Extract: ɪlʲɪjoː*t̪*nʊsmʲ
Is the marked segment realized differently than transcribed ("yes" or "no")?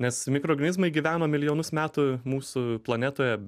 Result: yes